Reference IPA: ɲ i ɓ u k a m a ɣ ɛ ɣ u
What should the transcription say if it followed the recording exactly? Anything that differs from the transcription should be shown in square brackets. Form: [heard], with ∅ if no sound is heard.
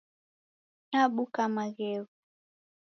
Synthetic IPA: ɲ [a] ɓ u k a m a ɣ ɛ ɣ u